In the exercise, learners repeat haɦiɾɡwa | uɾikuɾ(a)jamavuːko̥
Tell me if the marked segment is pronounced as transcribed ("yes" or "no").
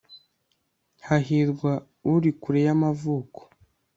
no